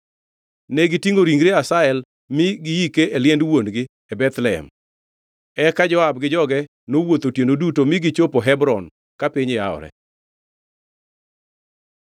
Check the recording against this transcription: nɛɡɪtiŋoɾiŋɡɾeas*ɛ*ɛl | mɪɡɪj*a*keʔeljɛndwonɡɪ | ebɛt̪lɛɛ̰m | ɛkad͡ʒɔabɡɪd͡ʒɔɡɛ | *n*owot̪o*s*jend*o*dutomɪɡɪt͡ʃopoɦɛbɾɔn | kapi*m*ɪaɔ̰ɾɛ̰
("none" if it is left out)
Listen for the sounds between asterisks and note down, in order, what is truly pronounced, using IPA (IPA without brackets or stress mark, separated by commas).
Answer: a, i, n, t, o, ɲ